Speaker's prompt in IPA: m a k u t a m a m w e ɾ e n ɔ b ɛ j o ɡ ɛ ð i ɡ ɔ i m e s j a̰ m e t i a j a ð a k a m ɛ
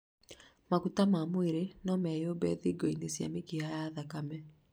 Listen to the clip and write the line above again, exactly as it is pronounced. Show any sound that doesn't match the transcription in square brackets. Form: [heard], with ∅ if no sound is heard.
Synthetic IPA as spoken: m a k u t a m a m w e ɾ e n ɔ [m] ɛ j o [b] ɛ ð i ɡ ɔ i [n] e s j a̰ m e [k] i a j a ð a k a m ɛ